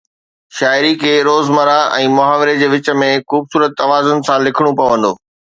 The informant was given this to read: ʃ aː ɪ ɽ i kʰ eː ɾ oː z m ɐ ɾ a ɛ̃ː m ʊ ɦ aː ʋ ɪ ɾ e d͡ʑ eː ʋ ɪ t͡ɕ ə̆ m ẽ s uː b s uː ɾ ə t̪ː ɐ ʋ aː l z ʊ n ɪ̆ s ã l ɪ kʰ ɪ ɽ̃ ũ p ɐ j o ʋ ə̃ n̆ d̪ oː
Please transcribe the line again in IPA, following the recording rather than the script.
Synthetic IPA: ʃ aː ɪ ɾ i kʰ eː ɾ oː z m ɐ ɾ a ɛ̃ː m ʊ ɦ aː ʋ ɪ ɾ e d͡ʑ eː ʋ ɪ t͡ɕ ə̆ m ẽ x uː b s uː ɾ ə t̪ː ɐ ʋ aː z ʊ n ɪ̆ s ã l ɪ kʰ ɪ ɽ̃ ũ p ɐ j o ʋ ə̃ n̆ d̪ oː